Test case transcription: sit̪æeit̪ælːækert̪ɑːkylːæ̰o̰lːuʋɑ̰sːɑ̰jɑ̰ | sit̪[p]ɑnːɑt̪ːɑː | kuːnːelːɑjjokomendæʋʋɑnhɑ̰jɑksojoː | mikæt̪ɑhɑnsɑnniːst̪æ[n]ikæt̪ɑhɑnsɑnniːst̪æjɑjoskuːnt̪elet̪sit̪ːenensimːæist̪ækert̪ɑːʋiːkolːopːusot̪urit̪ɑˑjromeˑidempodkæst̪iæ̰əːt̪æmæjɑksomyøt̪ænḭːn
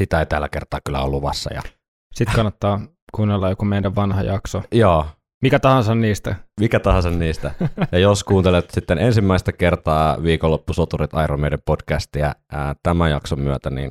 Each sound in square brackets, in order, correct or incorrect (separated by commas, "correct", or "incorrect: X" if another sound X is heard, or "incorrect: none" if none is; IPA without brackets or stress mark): incorrect: k, incorrect: m